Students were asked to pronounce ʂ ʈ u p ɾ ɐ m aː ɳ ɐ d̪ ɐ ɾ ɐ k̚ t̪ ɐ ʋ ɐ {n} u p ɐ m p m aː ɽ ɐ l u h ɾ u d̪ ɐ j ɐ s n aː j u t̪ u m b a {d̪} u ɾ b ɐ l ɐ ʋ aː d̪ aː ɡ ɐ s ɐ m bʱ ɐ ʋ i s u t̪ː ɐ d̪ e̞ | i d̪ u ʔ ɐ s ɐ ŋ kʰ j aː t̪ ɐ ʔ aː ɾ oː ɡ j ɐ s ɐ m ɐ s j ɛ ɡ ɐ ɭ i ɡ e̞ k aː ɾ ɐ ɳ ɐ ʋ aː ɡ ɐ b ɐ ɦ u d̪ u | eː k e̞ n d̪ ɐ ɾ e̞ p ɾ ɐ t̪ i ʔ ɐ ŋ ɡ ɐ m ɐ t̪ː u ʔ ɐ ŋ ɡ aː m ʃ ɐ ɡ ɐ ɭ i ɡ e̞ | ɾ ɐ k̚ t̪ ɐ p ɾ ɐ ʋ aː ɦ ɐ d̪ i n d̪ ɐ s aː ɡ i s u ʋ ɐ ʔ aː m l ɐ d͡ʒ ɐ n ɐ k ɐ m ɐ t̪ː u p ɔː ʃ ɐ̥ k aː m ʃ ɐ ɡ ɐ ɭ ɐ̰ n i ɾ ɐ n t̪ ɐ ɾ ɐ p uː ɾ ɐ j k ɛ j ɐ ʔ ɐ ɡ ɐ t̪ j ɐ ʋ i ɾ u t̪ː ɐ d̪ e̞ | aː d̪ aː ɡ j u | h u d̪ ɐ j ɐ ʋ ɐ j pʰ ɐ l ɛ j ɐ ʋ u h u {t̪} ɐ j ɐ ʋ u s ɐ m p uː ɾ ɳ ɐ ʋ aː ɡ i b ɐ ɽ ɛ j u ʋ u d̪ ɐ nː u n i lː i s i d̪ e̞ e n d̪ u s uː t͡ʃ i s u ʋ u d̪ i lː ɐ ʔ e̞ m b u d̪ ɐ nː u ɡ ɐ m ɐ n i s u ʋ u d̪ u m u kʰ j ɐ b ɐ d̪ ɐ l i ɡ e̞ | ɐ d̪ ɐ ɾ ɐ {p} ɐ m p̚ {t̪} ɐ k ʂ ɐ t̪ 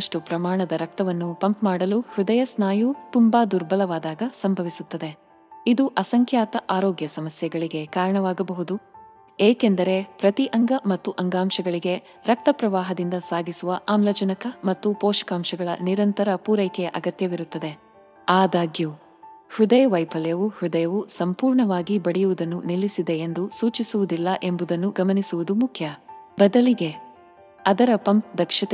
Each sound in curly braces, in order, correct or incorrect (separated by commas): incorrect, correct, incorrect, correct, incorrect